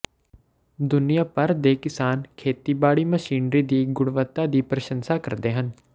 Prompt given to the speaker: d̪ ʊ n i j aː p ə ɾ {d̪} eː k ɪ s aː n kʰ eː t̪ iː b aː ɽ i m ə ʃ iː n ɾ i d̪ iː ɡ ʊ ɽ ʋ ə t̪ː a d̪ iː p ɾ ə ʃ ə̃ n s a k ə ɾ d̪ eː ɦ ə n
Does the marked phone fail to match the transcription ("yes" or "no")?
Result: no